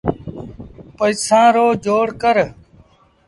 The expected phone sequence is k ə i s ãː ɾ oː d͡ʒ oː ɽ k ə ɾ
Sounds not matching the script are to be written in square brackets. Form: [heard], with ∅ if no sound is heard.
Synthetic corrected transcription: [p] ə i s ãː ɾ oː d͡ʒ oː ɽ k ə ɾ